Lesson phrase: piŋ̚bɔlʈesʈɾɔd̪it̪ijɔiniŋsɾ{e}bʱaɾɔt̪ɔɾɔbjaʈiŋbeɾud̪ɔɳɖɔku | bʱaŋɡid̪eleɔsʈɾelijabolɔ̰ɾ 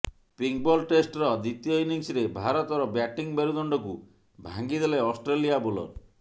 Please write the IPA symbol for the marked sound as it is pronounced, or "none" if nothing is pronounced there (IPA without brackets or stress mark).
e